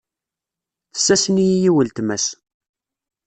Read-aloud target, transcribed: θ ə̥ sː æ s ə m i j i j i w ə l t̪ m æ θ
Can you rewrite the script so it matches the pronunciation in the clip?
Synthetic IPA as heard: θ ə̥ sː æ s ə n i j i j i w ə l t̪ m æ s